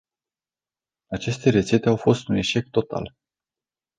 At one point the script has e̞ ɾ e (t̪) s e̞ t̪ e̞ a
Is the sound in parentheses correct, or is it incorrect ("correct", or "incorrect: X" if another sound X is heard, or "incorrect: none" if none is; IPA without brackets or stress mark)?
correct